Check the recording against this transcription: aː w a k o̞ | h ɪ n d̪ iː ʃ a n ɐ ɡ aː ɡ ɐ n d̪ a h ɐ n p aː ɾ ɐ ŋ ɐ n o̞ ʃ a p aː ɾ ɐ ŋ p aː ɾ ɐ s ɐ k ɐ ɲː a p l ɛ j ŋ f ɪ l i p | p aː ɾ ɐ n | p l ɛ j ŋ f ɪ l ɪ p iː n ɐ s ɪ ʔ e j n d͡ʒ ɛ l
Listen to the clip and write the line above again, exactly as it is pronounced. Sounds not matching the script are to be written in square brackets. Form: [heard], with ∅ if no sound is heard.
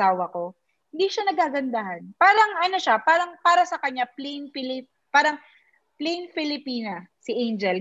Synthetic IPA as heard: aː w [ɐ] k o̞ | h ɪ n d̪ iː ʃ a n ɐ ɡ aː ɡ ɐ n d̪ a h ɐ n p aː ɾ ɐ ŋ ɐ n o̞ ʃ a p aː ɾ ɐ ŋ p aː ɾ ɐ s ɐ k ɐ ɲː a p l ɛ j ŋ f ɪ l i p | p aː ɾ ɐ [ŋ] | p l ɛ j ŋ f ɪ l ɪ p iː n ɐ s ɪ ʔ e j n d͡ʒ ɛ l